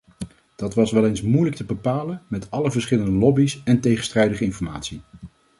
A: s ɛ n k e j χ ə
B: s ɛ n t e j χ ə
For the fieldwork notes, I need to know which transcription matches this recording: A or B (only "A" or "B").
B